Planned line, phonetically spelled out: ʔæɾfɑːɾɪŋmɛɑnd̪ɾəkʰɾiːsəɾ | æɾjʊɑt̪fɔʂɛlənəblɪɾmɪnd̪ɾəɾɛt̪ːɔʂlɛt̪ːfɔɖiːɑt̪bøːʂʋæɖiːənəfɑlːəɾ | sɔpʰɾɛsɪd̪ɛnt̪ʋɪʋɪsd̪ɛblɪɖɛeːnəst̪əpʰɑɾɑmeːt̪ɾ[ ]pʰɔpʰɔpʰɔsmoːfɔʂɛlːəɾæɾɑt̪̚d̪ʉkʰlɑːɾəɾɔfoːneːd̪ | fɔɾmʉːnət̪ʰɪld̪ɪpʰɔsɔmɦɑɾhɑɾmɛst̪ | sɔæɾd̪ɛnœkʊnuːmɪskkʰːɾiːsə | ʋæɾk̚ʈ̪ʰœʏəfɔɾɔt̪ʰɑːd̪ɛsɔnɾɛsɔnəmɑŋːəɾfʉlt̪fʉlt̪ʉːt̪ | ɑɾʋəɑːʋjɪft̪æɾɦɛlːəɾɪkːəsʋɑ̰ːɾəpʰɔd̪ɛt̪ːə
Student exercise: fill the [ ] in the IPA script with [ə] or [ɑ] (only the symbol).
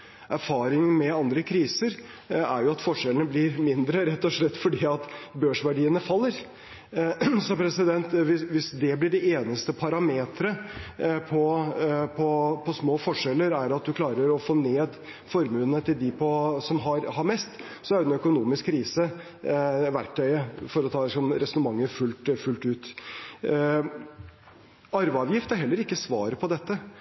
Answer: ə